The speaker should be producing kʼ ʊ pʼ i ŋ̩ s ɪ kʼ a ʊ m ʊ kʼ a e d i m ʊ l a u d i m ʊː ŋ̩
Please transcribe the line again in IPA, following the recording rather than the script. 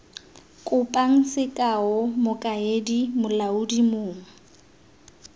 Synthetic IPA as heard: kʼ ʊ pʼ a ŋ̩ s ɪ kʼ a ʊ m ʊ kʼ a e d i m ʊ l a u d i m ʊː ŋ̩